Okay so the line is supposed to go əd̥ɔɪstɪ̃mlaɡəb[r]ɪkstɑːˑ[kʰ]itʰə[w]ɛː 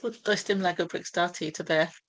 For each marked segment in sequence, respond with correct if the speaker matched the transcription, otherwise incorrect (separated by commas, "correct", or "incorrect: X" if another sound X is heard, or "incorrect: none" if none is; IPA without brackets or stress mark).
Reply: incorrect: ɹ, incorrect: tʰ, incorrect: b